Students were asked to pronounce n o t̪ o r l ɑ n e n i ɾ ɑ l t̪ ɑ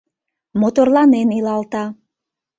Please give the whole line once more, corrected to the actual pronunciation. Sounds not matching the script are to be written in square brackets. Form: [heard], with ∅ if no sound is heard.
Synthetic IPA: [m] o t̪ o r l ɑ n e n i [l] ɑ l t̪ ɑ